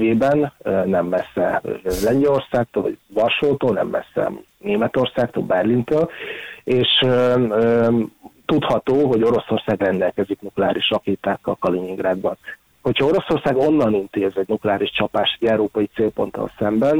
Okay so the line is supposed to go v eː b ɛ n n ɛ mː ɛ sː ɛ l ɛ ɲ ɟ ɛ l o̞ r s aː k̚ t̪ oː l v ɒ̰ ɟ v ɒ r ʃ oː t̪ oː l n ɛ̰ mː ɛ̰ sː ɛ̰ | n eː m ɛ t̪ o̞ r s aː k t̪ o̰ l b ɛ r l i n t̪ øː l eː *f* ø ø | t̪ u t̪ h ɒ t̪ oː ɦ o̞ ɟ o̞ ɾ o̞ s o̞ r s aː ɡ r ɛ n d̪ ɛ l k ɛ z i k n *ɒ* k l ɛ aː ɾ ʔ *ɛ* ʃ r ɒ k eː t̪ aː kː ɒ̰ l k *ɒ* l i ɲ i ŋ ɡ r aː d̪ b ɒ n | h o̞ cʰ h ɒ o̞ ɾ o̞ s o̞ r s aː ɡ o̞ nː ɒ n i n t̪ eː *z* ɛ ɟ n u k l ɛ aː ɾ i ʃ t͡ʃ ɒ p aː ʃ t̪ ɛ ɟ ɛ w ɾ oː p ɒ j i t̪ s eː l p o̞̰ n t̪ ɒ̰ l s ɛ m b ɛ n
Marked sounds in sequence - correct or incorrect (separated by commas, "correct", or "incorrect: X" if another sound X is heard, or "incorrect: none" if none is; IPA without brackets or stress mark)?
incorrect: ʃ, incorrect: u, incorrect: i, correct, correct